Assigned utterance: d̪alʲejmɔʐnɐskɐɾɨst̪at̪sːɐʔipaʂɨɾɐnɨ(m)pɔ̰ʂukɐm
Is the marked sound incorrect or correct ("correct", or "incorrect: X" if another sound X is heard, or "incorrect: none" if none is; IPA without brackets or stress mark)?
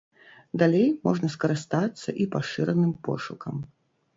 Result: correct